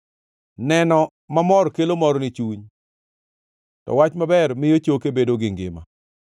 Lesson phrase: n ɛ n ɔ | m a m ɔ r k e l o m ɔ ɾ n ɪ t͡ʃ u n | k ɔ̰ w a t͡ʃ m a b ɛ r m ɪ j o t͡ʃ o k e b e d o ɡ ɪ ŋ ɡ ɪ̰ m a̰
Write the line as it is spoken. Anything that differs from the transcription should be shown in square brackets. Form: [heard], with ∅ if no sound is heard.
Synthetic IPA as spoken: n ɛ n ɔ | m a m ɔ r k e l o m ɔ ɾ n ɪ t͡ʃ u [ɲ] | [t] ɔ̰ w a t͡ʃ m a b ɛ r m ɪ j o t͡ʃ o k e b e d o ɡ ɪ ŋ ɡ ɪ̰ m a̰

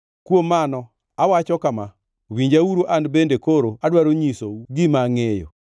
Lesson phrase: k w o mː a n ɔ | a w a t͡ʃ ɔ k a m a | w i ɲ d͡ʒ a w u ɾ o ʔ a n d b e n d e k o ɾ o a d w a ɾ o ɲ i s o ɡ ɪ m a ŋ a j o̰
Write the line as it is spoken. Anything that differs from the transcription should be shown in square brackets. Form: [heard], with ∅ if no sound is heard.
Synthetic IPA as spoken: k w o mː a n ɔ | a w a t͡ʃ ɔ k a m a | w i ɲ d͡ʒ a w u ɾ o ʔ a n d b e n d e k o ɾ o a d w a ɾ o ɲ i s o ɡ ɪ m a ŋ [e] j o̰

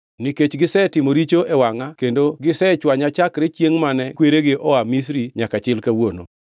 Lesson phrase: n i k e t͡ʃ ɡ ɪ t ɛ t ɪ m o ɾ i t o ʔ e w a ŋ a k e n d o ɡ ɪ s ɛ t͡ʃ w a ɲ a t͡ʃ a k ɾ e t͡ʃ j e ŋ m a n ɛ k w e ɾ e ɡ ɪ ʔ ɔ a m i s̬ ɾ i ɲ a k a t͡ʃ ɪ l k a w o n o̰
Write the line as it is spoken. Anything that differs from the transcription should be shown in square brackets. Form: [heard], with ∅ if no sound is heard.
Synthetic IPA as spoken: n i k e t͡ʃ ɡ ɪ [s] ɛ t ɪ m o ɾ i [t͡ʃ] o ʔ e w a ŋ a k e n d o ɡ ɪ s ɛ t͡ʃ w a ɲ a t͡ʃ a k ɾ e t͡ʃ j e ŋ m a n ɛ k w e ɾ e ɡ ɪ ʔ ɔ a m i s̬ ɾ i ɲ a k a t͡ʃ ɪ l k a w o n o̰

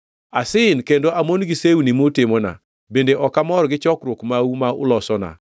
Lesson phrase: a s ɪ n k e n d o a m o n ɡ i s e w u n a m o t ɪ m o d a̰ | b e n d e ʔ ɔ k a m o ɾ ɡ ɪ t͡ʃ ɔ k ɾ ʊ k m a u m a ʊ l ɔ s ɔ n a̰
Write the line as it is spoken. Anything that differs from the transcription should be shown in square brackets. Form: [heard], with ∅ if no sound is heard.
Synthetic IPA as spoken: a s ɪ n k e n d o a m o n ɡ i s e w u n [i] m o t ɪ m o [n] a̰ | b e n d e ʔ ɔ k a m [ɔ] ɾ ɡ ɪ t͡ʃ ɔ k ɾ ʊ k m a u m a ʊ l ɔ s ɔ n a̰

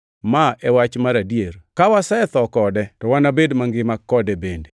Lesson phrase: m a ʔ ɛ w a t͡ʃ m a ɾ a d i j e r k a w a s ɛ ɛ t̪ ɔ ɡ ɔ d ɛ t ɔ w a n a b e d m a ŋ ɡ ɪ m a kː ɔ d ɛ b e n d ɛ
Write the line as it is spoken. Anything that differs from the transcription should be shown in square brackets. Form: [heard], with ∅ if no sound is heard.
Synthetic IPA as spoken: m a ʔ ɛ w a t͡ʃ m a ɾ a d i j e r k a w a s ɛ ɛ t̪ ɔ [k] ɔ d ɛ t ɔ w a n a b e d m a ŋ ɡ ɪ m a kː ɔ d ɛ b e n d [e]

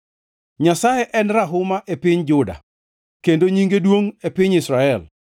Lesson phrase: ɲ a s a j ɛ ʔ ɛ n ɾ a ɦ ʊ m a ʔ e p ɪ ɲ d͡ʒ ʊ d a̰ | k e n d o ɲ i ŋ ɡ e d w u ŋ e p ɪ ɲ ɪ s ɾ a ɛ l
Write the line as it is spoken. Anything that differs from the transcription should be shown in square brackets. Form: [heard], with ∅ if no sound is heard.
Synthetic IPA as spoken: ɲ a s a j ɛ ʔ ɛ n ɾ a ɦ ʊ m a ʔ e p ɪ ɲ d͡ʒ ʊ d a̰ | k e n d o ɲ i ŋ ɡ e d w [o] ŋ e p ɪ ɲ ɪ s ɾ a ɛ l

